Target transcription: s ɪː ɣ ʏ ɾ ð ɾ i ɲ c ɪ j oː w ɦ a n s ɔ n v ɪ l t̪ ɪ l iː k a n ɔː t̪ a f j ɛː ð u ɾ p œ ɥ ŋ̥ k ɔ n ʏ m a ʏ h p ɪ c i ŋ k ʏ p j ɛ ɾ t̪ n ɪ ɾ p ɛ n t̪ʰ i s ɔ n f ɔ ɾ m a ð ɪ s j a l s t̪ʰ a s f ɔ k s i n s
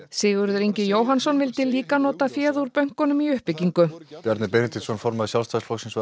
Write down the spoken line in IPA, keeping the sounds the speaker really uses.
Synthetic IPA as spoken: s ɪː ɣ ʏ ɾ ð ɾ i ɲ c ɪ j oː w ɦ a n s ɔ n v ɪ l t̪ ɪ l iː k a n ɔː t̪ a f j ɛː ð u ɾ p œ ɥ ŋ̥ k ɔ n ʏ m i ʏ h p ɪ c i ŋ k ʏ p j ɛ ɾ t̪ n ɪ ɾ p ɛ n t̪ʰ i s ɔ n f ɔ ɾ m a ð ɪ s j a l s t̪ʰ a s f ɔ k s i n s